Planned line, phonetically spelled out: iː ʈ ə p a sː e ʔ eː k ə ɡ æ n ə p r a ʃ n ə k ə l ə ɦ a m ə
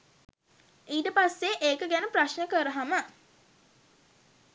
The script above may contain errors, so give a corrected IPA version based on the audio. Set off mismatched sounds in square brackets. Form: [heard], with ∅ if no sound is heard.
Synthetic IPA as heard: iː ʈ ə p a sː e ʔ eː k ə ɡ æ n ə p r a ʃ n ə k ə [ɾ] ə ɦ a m ə